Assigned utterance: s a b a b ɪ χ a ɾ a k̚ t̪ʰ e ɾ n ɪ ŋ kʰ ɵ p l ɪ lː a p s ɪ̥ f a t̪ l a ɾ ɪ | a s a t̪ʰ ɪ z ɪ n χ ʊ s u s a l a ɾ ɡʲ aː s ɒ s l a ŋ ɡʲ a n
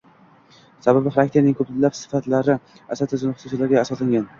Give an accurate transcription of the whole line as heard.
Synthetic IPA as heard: s a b a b ɪ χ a ɾ a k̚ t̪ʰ e ɾ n ɪ ŋ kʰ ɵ p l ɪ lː a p s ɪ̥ f a t̪ l a ɾ ɪ | a s a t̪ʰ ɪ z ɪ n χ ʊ s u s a l a ɾ ɡʲ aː s ɒ s l a ŋ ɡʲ a n